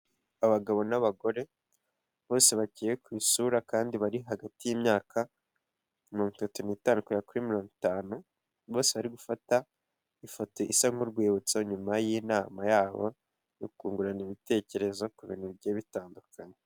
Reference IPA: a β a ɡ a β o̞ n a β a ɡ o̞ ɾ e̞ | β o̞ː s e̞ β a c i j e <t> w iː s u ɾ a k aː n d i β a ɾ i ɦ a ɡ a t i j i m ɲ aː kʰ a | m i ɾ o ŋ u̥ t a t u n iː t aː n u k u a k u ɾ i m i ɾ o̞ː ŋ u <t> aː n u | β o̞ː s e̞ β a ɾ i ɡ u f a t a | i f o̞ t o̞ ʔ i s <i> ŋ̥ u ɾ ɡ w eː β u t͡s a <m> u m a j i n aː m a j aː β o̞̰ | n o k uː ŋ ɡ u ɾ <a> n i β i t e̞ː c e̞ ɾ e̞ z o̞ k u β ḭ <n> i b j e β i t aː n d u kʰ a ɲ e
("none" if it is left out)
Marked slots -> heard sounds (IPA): k, t, a, ɲ, a, n

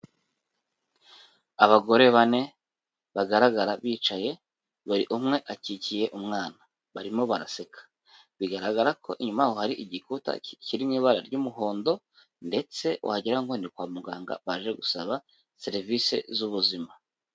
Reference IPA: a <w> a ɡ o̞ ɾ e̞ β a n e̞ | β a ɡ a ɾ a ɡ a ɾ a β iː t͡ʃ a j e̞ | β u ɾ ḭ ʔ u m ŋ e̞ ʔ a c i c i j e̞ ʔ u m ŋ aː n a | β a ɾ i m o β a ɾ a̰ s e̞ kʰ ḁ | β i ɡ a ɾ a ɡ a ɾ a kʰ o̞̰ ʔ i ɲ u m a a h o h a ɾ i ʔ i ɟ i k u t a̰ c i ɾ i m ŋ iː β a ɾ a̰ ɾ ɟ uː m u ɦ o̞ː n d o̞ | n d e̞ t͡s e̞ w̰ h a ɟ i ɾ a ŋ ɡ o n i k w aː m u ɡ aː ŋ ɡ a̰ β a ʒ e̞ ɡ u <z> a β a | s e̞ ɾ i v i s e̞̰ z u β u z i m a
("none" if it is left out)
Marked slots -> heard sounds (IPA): β, s

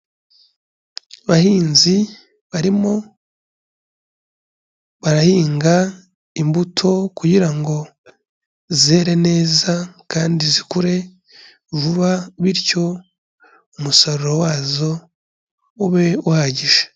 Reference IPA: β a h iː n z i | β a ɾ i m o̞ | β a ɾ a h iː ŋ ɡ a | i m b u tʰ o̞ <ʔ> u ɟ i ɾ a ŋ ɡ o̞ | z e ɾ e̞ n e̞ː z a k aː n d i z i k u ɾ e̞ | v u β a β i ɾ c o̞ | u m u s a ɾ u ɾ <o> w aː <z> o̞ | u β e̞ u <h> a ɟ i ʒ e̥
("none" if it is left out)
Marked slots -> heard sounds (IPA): k, o, z, h

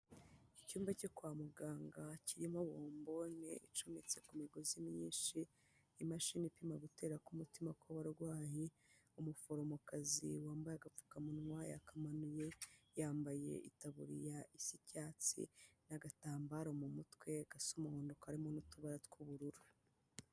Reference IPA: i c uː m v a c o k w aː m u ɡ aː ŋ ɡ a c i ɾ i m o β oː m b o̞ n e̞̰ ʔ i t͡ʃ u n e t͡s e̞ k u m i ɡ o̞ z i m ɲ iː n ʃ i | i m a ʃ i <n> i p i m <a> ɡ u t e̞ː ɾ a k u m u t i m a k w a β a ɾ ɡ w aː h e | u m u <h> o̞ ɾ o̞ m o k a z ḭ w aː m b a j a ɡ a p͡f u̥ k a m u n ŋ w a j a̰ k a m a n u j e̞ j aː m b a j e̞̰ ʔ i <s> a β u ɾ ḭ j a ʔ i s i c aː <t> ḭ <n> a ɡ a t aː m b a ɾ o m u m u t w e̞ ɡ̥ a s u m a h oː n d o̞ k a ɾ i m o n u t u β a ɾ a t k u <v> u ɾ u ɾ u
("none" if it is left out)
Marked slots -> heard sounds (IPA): n, a, f, t, t͡s, n, β

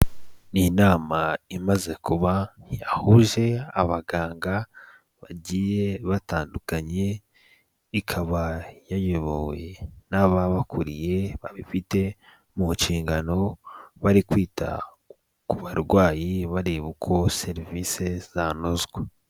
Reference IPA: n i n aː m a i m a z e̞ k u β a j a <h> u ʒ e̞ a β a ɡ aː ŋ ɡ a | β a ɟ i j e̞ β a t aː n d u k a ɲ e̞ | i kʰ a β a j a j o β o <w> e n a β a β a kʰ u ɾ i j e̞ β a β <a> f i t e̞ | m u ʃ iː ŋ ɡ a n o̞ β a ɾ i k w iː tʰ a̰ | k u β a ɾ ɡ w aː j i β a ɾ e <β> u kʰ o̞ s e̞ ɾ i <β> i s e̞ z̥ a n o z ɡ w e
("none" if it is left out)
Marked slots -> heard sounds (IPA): h, w, i, β, v

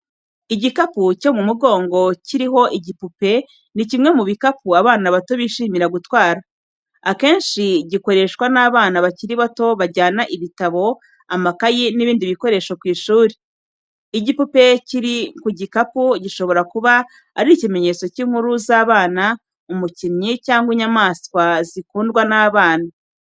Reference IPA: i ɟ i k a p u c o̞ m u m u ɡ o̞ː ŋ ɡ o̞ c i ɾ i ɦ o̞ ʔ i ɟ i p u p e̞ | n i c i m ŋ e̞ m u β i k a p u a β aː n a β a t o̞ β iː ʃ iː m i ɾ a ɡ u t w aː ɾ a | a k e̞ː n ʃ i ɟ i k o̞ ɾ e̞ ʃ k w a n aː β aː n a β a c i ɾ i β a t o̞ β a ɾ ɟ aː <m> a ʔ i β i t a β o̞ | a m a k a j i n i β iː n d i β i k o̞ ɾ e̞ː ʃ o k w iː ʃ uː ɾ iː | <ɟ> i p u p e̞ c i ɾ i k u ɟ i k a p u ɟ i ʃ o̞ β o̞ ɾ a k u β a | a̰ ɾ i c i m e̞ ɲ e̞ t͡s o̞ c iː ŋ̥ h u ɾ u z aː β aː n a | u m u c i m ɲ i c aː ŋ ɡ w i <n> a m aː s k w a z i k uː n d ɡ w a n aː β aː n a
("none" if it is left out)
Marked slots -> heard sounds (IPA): n, ɟ, ɲ

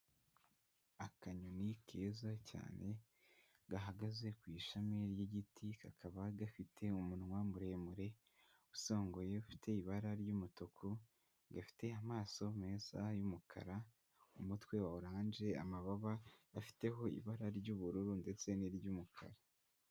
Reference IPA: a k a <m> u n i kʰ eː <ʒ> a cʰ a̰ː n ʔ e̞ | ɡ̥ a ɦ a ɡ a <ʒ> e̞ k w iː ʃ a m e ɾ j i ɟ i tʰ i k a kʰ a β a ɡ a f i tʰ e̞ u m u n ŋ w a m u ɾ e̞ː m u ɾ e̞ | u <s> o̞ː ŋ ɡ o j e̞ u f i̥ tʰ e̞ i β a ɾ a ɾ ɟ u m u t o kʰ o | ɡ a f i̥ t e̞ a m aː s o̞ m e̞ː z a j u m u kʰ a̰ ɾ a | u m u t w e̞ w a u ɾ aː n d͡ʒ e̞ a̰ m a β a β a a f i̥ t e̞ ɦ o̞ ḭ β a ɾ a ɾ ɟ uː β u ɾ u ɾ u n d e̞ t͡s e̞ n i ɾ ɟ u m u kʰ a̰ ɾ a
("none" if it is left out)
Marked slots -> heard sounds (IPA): ɲ, z, z, s

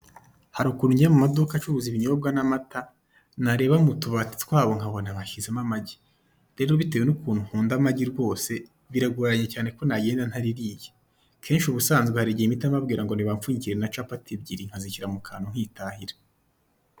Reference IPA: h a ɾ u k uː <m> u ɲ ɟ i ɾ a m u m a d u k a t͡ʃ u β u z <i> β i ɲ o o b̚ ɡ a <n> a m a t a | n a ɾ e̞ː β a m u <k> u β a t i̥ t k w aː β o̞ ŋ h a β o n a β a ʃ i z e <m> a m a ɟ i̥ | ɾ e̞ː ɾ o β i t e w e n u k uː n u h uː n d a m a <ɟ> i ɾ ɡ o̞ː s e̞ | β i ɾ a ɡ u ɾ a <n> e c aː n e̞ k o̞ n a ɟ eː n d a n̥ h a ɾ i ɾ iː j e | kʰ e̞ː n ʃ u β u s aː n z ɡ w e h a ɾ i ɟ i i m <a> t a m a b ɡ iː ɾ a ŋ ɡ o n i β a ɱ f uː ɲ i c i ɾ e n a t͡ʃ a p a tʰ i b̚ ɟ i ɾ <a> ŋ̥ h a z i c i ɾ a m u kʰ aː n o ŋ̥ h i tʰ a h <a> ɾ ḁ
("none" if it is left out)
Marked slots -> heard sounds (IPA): n, i, n, t, m, ɟ, ɲ, i, i, i

